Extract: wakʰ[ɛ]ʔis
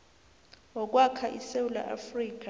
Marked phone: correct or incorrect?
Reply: incorrect